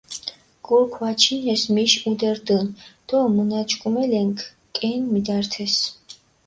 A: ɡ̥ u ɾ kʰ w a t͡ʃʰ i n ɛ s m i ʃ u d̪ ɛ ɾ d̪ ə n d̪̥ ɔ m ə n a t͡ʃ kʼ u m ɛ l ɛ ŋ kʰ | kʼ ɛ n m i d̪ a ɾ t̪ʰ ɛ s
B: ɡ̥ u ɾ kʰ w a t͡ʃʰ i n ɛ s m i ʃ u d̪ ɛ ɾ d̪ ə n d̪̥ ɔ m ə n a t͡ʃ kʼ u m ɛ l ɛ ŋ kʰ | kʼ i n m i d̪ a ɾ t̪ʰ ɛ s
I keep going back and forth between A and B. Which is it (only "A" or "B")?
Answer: A